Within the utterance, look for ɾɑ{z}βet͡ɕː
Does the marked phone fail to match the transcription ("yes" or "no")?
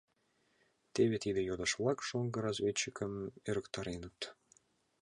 no